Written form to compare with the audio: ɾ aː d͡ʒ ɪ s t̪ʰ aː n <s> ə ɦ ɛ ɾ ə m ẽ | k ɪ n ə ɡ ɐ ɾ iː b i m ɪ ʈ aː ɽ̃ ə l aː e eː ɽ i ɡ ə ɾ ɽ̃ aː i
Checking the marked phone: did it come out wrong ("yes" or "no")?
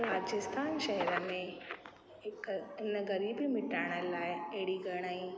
yes